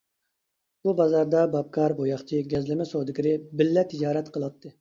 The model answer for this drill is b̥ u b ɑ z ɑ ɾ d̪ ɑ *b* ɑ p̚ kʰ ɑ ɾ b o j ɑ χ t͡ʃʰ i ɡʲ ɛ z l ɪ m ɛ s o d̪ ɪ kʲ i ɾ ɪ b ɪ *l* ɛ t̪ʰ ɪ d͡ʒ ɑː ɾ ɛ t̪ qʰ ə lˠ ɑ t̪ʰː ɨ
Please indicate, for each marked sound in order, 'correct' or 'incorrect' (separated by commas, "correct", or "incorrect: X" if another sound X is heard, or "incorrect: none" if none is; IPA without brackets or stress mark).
correct, incorrect: lː